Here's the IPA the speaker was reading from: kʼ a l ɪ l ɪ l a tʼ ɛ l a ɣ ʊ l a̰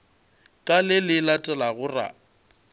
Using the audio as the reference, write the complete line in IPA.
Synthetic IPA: kʼ a l ɪ l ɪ l a tʼ ɛ l a ɣ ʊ r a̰